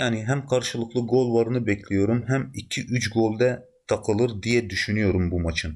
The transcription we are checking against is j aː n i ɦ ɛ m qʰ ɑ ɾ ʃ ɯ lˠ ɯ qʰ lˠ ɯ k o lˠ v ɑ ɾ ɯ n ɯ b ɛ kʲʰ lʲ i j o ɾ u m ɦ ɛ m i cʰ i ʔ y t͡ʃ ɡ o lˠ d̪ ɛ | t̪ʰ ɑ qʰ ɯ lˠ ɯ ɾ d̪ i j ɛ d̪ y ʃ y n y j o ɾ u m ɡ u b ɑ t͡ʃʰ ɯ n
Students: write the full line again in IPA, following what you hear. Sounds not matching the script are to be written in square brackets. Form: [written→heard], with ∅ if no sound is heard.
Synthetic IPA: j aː n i ɦ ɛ m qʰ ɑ ɾ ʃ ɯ lˠ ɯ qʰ lˠ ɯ [k→ɡ] o lˠ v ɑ ɾ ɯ n ɯ b ɛ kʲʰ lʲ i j o ɾ u m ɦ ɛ m i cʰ i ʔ y t͡ʃ ɡ o lˠ d̪ ɛ | t̪ʰ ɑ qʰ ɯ lˠ ɯ ɾ d̪ i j ɛ d̪ y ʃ y n y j o ɾ u m [ɡ→b] u [b→m] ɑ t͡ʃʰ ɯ n